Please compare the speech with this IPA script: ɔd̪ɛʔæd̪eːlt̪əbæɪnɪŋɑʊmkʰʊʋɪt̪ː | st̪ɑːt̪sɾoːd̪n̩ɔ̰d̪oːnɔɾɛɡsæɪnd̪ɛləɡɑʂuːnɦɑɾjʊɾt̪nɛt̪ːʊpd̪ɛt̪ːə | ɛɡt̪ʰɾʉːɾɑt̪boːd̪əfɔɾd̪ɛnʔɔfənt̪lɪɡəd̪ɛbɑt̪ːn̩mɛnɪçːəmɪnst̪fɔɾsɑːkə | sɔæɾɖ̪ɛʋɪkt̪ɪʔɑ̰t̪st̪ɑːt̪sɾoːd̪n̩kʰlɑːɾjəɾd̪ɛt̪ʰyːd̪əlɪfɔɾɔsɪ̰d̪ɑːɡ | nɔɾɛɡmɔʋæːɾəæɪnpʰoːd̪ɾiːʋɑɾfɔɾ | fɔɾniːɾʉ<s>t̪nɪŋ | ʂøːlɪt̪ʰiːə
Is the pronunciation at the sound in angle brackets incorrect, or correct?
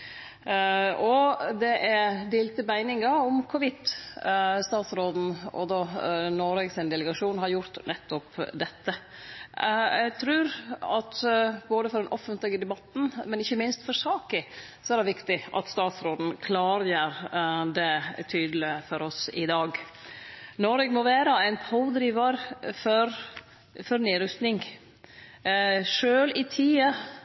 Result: correct